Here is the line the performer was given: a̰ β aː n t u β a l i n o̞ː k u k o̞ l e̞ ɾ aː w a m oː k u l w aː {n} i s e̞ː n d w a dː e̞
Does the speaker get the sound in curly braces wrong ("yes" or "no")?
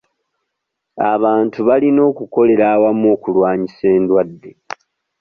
yes